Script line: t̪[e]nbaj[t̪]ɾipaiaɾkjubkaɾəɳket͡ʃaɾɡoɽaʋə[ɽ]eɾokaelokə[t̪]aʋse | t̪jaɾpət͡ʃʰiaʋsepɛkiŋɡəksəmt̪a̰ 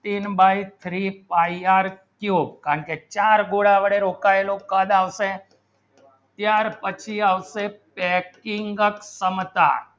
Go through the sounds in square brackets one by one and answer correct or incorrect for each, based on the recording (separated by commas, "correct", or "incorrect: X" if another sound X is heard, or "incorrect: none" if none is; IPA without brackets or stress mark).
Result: incorrect: i, incorrect: t̪ʰ, correct, incorrect: d̪